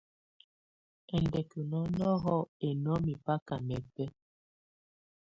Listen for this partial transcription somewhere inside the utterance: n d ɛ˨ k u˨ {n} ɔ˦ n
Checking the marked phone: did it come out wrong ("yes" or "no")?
no